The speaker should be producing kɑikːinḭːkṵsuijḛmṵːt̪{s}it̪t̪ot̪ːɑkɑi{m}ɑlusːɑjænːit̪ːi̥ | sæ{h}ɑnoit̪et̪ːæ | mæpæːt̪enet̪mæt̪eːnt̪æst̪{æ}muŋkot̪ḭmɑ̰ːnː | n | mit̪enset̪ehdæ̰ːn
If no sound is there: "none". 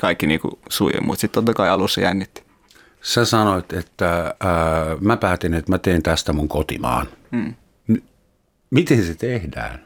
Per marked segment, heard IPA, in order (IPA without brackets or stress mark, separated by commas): s, none, s, æ